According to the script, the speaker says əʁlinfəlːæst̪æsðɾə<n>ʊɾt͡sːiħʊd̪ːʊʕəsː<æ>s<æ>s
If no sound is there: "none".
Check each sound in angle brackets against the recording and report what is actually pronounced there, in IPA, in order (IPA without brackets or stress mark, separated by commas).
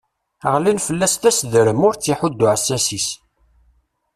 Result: m, æ, i